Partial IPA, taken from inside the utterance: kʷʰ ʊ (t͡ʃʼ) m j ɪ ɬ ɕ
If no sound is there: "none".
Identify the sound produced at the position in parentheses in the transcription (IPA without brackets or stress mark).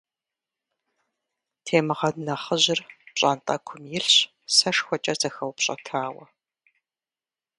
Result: none